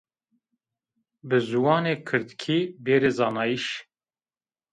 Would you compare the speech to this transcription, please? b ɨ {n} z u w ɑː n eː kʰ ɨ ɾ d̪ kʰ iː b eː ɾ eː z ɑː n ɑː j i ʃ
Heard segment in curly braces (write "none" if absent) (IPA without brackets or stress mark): none